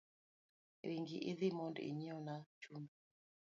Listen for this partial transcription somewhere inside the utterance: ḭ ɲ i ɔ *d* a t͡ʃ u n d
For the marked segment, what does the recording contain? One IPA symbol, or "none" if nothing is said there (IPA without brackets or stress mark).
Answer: n